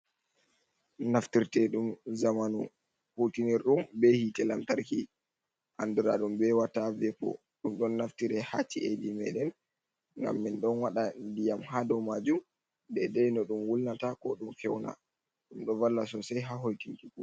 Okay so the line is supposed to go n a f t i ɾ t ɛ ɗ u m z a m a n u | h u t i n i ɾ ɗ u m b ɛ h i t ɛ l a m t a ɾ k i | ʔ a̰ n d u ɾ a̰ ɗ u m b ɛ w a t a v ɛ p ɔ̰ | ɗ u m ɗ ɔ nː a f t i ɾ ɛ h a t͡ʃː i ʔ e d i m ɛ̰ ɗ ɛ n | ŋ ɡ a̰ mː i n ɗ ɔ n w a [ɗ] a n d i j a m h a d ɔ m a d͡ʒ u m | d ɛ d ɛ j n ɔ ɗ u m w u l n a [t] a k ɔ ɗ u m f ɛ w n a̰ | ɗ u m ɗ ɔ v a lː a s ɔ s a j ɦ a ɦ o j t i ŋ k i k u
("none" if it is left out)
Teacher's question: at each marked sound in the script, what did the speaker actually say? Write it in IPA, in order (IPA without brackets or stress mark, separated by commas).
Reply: ɗ, t